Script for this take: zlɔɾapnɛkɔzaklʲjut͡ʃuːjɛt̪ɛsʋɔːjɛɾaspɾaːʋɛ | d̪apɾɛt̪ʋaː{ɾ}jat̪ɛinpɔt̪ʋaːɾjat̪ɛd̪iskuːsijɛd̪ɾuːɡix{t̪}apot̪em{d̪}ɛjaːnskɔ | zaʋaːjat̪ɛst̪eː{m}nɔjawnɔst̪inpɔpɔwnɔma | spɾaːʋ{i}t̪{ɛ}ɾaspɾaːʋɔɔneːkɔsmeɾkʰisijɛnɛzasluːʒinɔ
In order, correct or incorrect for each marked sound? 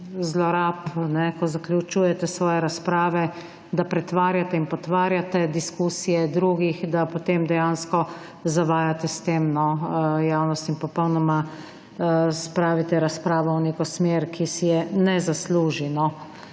correct, incorrect, correct, correct, correct, correct

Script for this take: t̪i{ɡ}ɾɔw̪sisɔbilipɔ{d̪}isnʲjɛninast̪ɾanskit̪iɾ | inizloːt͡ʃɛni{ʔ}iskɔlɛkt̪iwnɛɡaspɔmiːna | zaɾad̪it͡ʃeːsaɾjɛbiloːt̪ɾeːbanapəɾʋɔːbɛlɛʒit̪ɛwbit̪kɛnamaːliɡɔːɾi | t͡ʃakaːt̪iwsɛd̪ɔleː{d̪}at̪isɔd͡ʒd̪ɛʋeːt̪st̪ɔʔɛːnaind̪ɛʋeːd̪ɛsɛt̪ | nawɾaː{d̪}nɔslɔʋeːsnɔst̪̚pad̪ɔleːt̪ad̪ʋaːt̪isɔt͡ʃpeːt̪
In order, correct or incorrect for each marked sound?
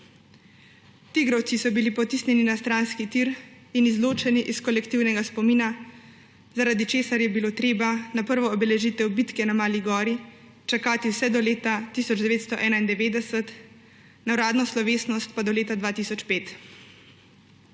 correct, incorrect, correct, incorrect, correct

